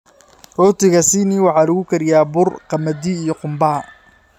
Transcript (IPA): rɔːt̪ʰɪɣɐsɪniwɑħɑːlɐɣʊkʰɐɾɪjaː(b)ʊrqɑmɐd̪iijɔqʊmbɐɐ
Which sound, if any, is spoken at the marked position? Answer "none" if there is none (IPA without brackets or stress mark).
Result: b